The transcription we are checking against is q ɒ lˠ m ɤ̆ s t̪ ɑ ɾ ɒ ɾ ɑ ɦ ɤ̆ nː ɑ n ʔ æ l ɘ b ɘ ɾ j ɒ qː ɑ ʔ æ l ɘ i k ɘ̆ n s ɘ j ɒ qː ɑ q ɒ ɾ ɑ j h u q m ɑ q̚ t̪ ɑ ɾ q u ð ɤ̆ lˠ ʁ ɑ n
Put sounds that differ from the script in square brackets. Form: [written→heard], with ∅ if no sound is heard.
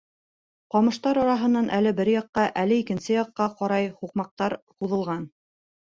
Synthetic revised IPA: q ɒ [lˠ→∅] m ɤ̆ [s→ʃ] t̪ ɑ ɾ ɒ ɾ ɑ ɦ ɤ̆ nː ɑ n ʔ æ l ɘ b ɘ ɾ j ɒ qː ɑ ʔ æ l ɘ i k ɘ̆ n s ɘ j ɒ qː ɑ q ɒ ɾ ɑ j h u q m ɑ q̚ t̪ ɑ ɾ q u ð ɤ̆ lˠ ʁ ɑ n